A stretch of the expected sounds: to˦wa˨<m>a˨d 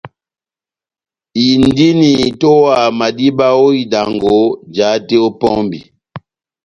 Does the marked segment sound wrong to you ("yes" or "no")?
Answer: no